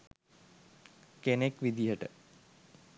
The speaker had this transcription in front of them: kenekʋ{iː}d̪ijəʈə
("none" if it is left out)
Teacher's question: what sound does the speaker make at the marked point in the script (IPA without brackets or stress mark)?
i